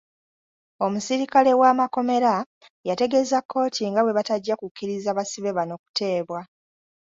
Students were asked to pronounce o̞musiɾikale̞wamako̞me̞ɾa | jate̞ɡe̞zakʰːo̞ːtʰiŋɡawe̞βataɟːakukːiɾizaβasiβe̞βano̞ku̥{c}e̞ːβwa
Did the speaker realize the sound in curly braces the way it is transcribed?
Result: no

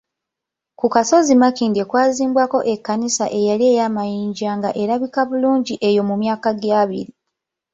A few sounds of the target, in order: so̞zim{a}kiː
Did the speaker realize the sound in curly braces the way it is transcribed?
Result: yes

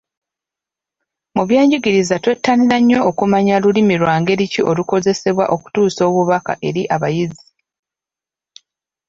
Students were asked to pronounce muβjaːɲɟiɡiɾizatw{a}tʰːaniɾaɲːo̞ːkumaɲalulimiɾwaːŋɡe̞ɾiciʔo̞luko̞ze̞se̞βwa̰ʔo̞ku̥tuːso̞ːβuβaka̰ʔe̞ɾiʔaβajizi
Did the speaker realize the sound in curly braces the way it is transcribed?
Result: no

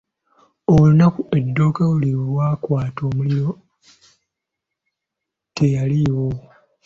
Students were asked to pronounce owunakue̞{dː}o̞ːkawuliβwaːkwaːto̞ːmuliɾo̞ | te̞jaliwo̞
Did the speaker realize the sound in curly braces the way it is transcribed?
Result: yes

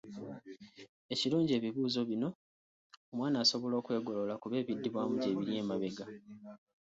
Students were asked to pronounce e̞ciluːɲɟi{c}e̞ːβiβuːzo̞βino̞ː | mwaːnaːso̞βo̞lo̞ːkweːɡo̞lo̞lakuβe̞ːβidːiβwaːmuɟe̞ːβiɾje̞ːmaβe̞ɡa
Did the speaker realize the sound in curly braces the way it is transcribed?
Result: no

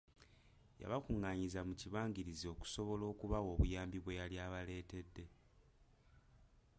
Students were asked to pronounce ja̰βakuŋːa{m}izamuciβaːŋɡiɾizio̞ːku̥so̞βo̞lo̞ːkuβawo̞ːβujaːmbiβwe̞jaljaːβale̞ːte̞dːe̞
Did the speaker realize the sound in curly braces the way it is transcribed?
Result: no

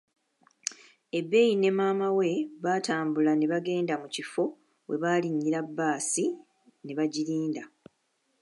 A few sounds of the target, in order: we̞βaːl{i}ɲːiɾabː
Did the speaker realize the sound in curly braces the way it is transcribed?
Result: yes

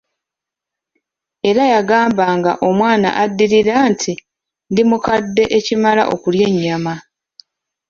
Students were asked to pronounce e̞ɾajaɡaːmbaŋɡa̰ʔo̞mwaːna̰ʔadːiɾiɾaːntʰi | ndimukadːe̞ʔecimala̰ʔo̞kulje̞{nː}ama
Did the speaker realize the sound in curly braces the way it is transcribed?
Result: no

